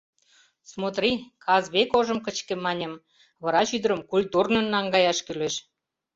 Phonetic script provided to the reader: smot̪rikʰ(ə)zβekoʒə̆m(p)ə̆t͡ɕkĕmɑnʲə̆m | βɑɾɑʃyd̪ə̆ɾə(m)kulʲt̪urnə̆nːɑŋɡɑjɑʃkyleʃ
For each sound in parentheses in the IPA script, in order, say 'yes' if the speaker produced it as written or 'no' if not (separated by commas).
no, no, yes